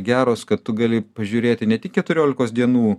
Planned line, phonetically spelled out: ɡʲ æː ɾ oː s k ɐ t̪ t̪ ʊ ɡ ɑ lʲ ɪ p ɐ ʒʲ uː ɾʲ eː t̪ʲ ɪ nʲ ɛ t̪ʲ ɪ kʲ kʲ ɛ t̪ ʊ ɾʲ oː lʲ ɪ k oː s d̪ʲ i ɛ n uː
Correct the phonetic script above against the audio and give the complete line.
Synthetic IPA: ɡʲ æː ɾ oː s k ɐ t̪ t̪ ʊ ɡ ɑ lʲ ɪ p ɐ ʒʲ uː ɾʲ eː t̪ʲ ɪ nʲ ɛ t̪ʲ ɪ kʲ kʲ ɛ t̪ ʊ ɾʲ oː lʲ ɪ k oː s d̪ʲ i ɛ n uː